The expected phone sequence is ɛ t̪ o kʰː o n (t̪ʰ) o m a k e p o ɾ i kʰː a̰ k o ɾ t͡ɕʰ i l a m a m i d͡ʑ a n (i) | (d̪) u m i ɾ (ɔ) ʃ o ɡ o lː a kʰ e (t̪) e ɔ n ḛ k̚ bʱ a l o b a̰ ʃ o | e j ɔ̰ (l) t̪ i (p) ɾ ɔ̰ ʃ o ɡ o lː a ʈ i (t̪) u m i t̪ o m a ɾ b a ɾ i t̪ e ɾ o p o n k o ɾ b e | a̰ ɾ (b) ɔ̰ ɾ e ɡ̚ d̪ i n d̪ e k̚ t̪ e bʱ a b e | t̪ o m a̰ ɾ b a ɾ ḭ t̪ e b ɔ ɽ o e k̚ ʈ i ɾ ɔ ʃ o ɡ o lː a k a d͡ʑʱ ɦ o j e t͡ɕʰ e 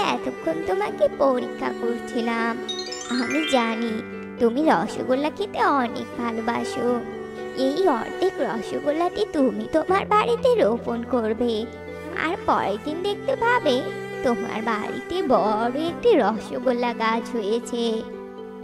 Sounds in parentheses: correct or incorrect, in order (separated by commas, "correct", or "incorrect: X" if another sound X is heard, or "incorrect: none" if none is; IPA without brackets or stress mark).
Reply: incorrect: t̪, correct, incorrect: t̪, correct, correct, incorrect: ɾ, incorrect: k, correct, incorrect: p